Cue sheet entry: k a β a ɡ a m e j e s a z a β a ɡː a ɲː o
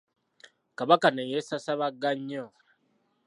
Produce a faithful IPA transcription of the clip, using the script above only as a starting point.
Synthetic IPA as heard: k a β a k a n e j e s a s a β a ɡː a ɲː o

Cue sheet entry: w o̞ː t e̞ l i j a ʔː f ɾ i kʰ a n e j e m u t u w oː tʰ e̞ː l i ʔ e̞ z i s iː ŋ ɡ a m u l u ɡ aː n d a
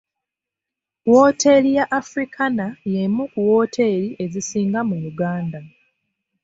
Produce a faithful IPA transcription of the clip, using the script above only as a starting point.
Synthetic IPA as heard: w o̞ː t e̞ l i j a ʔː f ɾ i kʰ a n a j e m u k u w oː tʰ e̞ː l i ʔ e̞ z i s iː ŋ ɡ a m u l u ɡ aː n d a

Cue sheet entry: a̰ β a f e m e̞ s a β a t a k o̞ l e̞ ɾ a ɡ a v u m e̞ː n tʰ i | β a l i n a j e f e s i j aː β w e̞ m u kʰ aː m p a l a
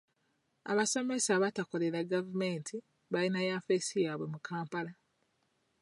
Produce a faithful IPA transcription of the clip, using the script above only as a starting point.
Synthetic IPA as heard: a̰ β a s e m e̞ s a β a t a k o̞ l e̞ ɾ a ɡ a v u m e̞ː n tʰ i | β a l i n a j a f e s i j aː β w e̞ m u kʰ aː m p a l a

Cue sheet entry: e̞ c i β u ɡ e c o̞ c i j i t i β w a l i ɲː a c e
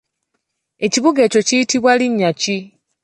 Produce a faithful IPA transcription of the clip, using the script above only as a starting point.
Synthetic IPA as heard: e̞ c i β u ɡ e c o̞ c i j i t i β w a l i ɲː a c i

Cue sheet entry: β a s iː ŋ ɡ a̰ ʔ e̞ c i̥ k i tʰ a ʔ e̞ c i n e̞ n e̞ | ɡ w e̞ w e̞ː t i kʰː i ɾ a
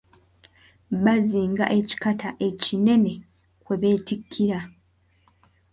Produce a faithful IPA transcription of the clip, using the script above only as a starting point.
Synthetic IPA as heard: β a z iː ŋ ɡ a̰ ʔ e̞ c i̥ k a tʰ a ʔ e̞ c i n e̞ n e̞ | k w e̞ β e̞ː t i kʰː i ɾ a

